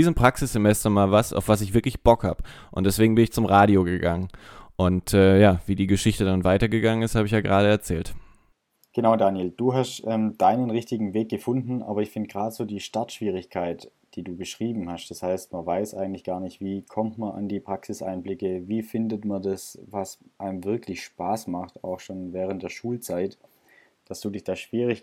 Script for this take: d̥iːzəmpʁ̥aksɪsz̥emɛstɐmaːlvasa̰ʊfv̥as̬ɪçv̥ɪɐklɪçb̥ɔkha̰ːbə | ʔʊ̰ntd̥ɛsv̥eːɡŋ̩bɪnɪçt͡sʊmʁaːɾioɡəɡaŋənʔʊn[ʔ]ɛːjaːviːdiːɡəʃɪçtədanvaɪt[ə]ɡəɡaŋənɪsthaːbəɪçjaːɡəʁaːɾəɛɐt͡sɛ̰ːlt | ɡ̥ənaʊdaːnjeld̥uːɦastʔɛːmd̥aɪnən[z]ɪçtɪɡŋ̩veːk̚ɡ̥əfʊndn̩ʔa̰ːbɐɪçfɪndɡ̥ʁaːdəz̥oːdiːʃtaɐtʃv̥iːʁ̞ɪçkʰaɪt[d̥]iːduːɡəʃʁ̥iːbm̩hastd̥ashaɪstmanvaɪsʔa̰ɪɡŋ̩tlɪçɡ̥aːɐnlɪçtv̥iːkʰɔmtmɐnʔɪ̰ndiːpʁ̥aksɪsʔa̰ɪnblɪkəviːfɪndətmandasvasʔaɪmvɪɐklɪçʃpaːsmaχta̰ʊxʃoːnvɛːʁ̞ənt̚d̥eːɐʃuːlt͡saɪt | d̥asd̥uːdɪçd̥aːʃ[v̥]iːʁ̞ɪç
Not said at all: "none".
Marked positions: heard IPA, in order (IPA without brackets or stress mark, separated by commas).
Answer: t, ɐ, ʁ, d̥, v̥